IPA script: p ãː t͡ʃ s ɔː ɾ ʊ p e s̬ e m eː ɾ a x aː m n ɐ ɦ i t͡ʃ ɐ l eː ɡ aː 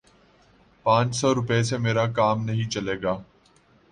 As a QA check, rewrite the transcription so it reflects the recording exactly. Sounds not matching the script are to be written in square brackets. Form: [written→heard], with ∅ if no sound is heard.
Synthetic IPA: p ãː t͡ʃ s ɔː ɾ ʊ p e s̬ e m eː ɾ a [x→k] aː m n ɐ ɦ [i→ĩ] t͡ʃ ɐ l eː ɡ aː